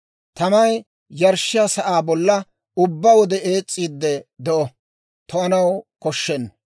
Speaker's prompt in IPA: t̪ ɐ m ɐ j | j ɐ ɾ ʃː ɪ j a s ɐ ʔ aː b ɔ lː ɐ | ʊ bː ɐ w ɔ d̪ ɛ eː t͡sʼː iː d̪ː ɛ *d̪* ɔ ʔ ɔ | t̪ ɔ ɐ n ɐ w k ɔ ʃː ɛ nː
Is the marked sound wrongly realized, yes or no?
no